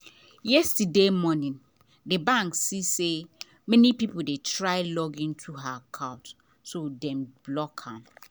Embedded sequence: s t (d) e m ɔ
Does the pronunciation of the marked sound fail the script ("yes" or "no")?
no